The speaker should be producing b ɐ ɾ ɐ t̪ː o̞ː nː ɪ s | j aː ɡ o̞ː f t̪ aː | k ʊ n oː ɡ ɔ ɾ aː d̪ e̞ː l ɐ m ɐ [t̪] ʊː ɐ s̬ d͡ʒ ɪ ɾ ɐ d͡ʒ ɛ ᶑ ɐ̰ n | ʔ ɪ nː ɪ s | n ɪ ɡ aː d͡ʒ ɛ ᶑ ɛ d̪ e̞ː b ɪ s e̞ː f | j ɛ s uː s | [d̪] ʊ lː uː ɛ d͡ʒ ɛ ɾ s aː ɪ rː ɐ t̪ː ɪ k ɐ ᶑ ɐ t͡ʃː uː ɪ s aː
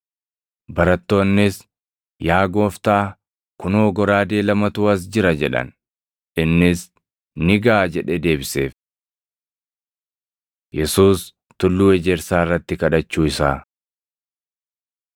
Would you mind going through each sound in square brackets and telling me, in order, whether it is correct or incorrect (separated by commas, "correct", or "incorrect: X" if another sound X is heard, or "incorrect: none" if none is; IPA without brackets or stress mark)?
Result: correct, incorrect: t̪